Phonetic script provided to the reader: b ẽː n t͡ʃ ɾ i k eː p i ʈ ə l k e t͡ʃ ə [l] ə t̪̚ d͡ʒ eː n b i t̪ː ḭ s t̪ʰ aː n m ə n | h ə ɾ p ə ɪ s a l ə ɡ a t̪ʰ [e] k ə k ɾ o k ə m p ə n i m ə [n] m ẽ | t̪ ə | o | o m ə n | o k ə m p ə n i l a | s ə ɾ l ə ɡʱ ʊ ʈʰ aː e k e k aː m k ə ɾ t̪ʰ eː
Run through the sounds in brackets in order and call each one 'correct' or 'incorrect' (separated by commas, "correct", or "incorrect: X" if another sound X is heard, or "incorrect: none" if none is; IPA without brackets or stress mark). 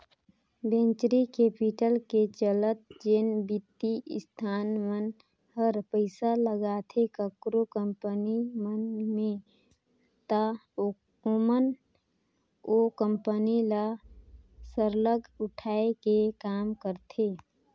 correct, correct, correct